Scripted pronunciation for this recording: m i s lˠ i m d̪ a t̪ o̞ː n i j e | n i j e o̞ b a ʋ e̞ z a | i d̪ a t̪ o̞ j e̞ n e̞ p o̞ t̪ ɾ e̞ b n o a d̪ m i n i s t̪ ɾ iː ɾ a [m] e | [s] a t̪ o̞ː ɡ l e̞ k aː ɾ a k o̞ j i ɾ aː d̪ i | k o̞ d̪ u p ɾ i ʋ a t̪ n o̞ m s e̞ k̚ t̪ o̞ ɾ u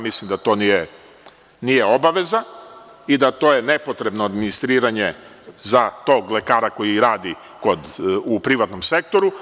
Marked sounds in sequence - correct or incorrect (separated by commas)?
incorrect, incorrect